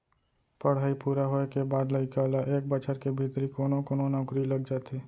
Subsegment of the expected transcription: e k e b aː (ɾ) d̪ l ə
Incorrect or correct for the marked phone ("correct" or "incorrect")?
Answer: incorrect